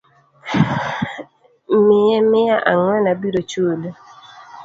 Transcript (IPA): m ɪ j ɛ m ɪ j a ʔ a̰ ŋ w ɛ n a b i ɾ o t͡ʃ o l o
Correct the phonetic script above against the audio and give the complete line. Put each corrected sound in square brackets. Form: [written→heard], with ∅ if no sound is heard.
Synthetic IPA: m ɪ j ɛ m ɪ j a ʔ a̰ ŋ w ɛ n a b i ɾ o t͡ʃ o l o